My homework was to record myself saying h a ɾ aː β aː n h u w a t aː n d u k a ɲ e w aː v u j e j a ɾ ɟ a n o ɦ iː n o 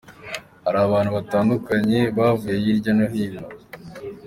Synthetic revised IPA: h a ɾ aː β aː n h u β a t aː n d u k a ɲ e β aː v u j e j i ɾ ɟ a n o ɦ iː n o

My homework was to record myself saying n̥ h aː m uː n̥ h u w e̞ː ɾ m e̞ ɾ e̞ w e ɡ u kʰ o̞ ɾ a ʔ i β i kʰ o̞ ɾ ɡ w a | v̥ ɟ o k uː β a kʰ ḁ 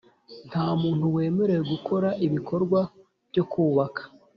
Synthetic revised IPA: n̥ h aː m uː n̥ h u w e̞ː m e̞ ɾ e̞ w e ɡ u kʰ o̞ ɾ a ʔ i β i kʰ o̞ ɾ ɡ w a | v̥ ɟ o k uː β a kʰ ḁ

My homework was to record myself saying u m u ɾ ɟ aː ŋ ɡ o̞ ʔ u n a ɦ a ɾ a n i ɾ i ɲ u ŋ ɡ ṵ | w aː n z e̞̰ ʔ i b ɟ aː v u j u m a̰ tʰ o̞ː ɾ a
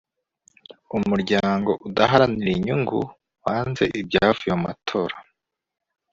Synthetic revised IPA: u m u ɾ ɟ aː ŋ ɡ o̞ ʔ u d a ɦ a ɾ a n i ɾ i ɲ u ŋ ɡ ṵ | w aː n z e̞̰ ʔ i b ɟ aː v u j o m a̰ tʰ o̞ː ɾ a

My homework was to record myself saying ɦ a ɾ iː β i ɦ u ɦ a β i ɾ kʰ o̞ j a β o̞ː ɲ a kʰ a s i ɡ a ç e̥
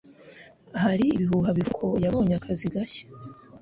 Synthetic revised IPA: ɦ a ɾ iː β i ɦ u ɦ a β i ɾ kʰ o̞ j a β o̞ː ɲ a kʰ a z i ɡ a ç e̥

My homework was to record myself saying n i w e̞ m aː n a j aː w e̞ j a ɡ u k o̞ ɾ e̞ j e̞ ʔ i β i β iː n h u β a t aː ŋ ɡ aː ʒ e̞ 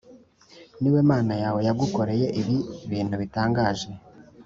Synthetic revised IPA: n i w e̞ m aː n a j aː w e̞ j a ɡ u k o̞ ɾ e̞ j e̞ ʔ i β i β iː n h u β i t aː ŋ ɡ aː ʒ e̞

